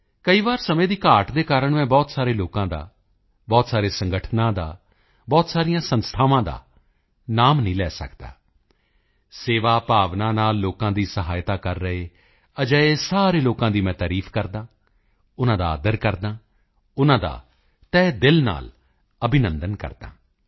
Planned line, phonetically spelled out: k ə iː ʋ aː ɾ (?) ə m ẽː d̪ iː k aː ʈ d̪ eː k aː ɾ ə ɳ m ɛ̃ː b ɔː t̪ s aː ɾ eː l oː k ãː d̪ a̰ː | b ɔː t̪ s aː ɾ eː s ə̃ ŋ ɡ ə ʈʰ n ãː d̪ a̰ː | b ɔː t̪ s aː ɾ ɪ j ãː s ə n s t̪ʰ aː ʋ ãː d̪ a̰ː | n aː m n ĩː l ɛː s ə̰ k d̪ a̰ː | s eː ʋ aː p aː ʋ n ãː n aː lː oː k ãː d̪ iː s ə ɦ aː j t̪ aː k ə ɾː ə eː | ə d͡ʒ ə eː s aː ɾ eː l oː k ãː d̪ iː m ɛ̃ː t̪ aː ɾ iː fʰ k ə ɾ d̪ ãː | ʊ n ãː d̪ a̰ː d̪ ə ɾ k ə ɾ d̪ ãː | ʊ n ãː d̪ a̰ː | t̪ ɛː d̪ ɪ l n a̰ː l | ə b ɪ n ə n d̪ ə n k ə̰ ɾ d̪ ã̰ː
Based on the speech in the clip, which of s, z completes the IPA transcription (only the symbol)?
s